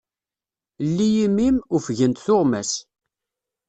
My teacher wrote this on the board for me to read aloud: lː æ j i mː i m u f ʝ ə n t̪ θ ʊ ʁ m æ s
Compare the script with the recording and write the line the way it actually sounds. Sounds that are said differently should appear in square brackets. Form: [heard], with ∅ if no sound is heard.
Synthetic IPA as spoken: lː [i] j i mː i m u f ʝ ə n t̪ θ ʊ ʁ m æ s